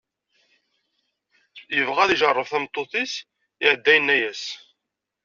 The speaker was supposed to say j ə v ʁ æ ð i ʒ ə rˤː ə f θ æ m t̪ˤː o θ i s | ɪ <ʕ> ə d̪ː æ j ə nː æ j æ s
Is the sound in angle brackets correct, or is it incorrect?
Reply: correct